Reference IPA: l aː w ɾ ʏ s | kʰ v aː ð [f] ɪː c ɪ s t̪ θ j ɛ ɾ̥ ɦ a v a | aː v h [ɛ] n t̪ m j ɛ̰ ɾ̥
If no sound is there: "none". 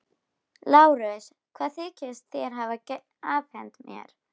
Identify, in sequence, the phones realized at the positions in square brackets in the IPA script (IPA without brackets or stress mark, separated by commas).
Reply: θ, ɛ